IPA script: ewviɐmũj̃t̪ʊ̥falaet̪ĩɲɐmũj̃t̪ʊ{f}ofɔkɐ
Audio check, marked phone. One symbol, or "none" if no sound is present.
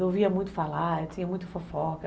f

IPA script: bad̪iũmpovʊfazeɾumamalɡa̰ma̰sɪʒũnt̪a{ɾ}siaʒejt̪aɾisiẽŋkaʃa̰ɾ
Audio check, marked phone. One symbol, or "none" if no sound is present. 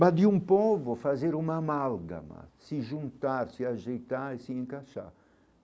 ɾ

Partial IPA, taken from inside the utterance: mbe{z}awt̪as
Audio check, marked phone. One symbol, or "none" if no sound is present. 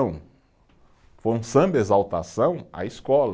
z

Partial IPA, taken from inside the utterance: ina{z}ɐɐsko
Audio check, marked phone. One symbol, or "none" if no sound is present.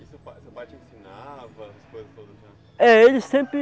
v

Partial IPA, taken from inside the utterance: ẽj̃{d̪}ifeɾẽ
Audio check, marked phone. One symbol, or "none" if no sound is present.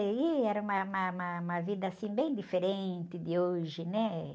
d̪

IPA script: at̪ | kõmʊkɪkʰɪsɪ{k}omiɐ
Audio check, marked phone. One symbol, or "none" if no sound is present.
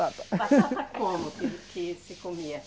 k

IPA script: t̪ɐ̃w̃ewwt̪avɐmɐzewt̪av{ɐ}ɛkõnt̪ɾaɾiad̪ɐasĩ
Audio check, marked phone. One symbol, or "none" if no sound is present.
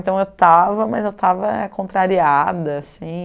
ɐ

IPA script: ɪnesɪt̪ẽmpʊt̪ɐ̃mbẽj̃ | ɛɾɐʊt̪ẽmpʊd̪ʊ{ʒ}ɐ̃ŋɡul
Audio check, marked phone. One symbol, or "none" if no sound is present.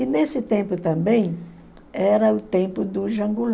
ʒ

